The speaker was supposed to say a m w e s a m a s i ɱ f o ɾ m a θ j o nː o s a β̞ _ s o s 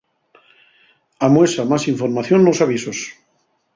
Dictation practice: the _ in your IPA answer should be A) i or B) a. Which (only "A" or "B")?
A